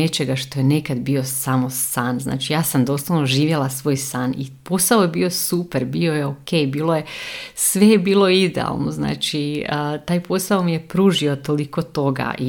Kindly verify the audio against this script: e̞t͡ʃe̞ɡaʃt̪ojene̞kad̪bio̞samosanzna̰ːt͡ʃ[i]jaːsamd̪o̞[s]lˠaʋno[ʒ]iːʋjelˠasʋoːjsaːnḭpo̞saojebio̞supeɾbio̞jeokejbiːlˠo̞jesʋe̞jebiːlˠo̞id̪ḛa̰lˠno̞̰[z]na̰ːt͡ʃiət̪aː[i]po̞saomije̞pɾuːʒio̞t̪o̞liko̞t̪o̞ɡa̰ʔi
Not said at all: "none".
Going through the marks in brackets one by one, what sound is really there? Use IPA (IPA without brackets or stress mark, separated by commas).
i, s, ʒ, z, j